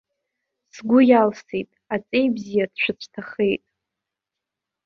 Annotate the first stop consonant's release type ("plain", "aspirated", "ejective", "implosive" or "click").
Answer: plain